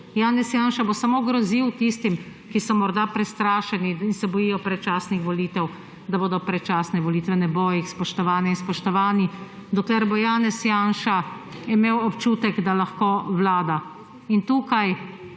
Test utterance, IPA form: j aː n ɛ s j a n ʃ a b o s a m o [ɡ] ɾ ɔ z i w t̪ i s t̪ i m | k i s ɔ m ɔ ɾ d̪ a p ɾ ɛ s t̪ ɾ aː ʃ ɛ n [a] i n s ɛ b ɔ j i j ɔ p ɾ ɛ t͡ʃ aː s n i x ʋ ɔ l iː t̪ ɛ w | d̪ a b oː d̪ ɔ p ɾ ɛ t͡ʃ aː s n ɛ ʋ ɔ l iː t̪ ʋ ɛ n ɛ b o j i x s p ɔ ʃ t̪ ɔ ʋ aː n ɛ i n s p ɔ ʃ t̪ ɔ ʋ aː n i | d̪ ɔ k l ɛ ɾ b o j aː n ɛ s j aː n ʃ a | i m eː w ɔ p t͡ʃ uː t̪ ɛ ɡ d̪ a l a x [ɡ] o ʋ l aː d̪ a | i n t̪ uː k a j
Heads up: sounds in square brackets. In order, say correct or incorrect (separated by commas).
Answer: correct, incorrect, incorrect